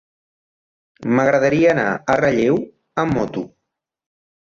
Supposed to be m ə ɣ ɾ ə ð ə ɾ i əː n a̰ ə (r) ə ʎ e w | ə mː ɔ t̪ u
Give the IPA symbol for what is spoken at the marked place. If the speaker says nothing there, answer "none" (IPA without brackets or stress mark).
r